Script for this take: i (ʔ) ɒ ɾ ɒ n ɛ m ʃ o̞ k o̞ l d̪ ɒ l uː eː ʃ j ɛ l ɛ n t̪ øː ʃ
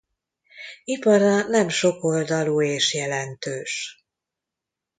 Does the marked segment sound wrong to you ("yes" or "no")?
yes